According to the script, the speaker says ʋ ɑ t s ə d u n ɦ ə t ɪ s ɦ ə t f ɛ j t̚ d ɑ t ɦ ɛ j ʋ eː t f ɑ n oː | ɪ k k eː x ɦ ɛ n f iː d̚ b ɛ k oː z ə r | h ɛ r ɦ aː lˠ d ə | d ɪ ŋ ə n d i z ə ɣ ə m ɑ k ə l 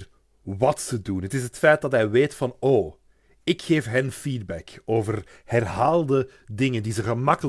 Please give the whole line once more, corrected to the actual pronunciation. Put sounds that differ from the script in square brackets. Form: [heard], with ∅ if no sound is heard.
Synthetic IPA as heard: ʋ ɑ t s ə d u n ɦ ə t ɪ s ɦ ə t f ɛ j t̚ d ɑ t ɦ ɛ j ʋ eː t f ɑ n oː | ɪ k [x] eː [f] ɦ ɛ n f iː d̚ b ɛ k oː [v] ə r | h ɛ r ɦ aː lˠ d ə | d ɪ ŋ ə n d i z ə ɣ ə m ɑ k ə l